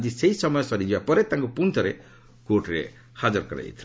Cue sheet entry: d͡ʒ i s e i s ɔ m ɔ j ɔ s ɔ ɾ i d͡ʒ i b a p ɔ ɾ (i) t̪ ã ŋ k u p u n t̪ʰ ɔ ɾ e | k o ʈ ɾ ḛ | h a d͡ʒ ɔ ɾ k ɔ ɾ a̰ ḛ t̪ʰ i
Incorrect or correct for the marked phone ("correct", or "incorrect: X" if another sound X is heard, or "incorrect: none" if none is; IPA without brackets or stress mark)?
incorrect: e